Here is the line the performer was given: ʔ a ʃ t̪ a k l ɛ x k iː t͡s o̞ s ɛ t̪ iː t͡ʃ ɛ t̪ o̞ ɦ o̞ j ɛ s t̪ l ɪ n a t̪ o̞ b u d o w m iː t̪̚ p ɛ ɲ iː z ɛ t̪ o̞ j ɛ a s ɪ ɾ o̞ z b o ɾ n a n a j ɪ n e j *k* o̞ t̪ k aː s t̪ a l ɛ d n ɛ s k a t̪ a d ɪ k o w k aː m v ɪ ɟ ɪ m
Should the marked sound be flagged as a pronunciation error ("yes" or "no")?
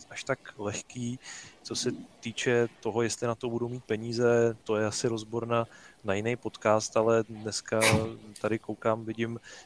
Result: yes